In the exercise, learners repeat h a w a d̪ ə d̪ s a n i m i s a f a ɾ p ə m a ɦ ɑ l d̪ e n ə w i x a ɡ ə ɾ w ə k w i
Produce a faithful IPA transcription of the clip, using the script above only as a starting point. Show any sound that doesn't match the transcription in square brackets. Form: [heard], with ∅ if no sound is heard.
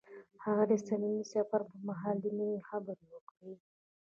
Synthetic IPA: h a [ɣ] a d̪ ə [∅] s a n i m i s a f a ɾ p ə m a ɦ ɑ l d̪ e n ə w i x a [b] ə ɾ w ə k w i